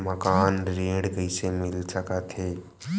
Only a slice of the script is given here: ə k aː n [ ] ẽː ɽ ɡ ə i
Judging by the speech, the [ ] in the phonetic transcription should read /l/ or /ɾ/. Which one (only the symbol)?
ɾ